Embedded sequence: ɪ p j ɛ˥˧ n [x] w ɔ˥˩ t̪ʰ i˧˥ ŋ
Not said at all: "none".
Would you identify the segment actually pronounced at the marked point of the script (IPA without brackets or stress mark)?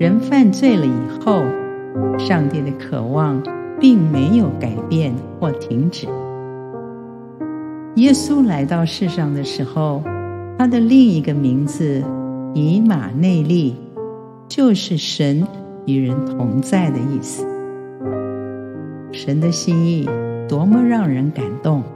x